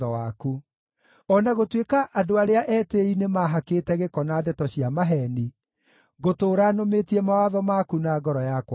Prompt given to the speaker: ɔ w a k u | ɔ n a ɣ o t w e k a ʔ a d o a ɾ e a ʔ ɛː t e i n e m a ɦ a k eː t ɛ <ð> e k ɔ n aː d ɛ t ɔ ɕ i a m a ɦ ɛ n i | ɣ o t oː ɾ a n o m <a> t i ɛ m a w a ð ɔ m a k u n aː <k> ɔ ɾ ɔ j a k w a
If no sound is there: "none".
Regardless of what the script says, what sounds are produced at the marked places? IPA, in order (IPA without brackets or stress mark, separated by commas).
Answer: ɣ, e, ɡ